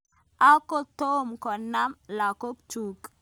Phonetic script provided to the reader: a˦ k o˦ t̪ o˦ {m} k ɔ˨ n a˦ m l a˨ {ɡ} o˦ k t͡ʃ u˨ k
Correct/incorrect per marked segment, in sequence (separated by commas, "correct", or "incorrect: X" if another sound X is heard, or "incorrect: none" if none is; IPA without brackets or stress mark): correct, incorrect: k